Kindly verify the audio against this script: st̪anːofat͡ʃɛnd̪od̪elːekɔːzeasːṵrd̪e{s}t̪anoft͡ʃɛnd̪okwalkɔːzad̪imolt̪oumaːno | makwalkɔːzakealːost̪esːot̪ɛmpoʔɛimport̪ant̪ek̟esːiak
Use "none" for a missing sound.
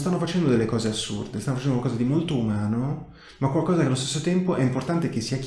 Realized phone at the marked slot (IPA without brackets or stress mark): s